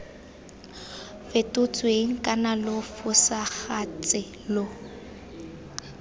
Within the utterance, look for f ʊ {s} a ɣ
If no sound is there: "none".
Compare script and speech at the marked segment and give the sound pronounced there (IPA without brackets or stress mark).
s